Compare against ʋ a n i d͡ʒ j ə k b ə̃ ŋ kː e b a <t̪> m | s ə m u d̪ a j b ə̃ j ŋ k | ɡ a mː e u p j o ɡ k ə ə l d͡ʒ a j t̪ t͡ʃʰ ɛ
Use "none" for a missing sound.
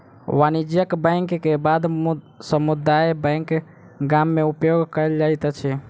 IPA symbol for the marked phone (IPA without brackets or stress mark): d̪